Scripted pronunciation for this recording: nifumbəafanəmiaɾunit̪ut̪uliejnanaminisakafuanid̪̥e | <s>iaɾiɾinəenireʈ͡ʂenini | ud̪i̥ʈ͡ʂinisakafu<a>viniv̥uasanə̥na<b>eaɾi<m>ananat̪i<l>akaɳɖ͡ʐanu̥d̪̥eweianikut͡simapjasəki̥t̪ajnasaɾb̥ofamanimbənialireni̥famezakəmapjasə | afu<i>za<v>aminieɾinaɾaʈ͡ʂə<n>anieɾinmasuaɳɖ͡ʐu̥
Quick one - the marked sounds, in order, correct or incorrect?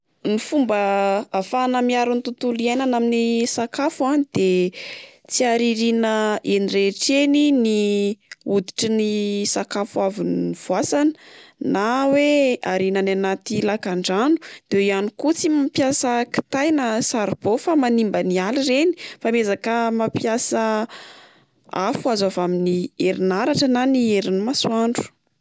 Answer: incorrect: t͡s, correct, incorrect: w, incorrect: n, correct, incorrect: a, correct, correct

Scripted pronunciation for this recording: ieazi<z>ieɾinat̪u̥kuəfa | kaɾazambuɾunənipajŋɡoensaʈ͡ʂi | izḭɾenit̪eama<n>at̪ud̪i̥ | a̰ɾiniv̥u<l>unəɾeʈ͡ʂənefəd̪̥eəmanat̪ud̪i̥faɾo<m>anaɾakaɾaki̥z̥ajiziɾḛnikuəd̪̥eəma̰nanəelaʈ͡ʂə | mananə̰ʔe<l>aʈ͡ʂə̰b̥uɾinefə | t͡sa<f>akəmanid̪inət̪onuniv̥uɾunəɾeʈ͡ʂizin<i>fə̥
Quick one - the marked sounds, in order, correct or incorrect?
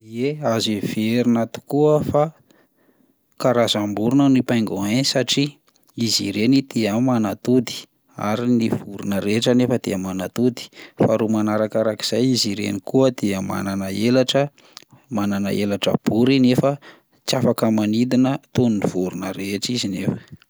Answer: incorrect: v, correct, incorrect: ɾ, correct, correct, correct, incorrect: e

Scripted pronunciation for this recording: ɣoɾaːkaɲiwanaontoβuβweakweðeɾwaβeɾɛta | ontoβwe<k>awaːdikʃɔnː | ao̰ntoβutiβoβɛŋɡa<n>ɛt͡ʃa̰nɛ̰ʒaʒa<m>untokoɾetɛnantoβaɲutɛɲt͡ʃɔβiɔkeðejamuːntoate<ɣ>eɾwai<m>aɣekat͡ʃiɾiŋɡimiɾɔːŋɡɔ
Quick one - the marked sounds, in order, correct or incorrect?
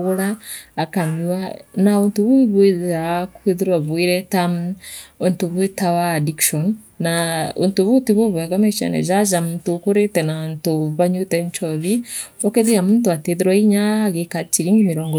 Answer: incorrect: t, incorrect: m, correct, incorrect: ð, incorrect: ɲ

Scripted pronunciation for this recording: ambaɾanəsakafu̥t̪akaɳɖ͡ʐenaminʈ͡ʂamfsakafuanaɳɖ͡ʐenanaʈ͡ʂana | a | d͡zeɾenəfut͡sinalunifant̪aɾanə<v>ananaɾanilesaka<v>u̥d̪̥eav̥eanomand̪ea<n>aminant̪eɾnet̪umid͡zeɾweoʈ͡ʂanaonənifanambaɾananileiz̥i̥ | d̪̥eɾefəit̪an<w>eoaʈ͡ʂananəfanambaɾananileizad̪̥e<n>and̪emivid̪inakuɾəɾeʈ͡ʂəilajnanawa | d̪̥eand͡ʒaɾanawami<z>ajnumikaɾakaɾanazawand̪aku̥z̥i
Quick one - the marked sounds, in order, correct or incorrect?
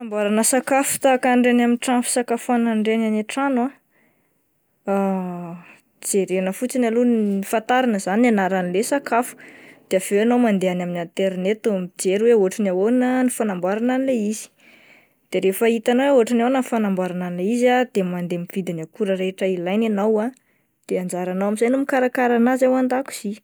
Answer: incorrect: z, incorrect: f, correct, correct, incorrect: m, correct

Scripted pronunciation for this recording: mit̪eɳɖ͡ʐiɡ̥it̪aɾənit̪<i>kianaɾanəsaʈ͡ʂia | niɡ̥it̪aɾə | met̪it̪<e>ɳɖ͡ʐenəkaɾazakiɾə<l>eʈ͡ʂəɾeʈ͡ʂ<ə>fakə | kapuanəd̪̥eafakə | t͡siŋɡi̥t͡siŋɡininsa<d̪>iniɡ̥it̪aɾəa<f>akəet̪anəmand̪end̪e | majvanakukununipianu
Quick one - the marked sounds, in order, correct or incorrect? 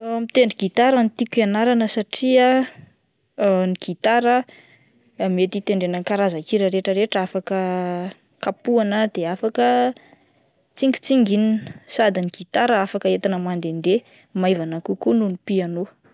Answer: correct, correct, incorrect: ɾ, incorrect: a, correct, correct

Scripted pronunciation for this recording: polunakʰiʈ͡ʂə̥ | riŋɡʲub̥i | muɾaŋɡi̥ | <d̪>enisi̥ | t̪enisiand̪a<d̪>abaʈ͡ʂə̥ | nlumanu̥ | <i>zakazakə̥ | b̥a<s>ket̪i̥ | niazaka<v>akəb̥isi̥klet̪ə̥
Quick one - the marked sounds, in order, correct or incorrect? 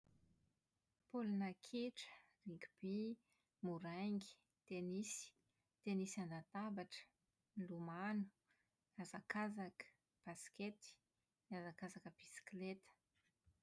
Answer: incorrect: t̪, incorrect: t̪, incorrect: a, correct, incorrect: z

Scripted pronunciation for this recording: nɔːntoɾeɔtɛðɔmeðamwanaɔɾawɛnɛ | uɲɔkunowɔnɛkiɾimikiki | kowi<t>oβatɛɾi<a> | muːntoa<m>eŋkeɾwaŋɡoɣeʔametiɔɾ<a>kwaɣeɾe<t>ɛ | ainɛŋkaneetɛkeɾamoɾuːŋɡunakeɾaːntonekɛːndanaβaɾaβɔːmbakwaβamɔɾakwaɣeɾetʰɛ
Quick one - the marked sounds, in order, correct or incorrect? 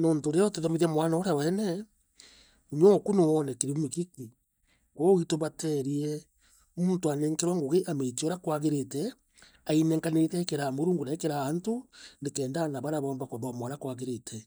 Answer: correct, incorrect: ɛ, incorrect: n, correct, correct

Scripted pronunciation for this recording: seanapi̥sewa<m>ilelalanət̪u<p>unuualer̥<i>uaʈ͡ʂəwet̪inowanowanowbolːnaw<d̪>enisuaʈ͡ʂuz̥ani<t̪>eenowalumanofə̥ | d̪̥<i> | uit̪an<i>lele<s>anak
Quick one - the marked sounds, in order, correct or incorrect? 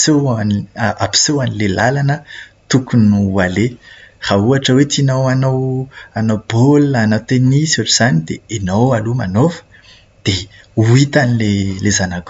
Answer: incorrect: n, incorrect: k, incorrect: a, incorrect: t̪, incorrect: d̪, incorrect: e, correct, incorrect: z

